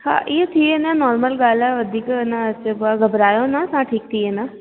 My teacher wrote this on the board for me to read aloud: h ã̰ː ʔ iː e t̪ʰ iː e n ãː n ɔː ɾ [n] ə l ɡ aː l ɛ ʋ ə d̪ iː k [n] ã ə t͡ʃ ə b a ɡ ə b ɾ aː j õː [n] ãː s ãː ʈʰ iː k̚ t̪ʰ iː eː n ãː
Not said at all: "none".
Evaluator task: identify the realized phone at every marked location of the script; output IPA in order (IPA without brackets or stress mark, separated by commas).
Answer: m, n, n